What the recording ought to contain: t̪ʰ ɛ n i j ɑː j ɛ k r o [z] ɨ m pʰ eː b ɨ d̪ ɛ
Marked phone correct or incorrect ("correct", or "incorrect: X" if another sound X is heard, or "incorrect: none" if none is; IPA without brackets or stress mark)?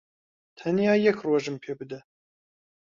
incorrect: ʒ